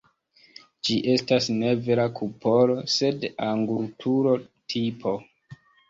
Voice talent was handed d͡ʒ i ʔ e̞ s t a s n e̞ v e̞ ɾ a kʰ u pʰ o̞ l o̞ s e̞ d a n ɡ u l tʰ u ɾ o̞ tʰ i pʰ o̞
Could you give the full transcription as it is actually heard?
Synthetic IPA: d͡ʒ i ʔ e̞ s t a s n e̞ v e̞ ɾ a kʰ u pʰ o̞ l o̞ s e̞ d a ŋ ɡ u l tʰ u ɾ o̞ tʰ i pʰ o̞